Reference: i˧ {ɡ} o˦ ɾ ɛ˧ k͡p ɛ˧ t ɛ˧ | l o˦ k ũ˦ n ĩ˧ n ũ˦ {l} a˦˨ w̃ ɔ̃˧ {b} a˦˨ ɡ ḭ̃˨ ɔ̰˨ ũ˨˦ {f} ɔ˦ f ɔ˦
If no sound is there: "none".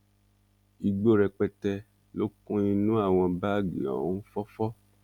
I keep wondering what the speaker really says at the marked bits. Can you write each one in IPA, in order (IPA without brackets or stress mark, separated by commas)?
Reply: ɡ͡b, none, b, f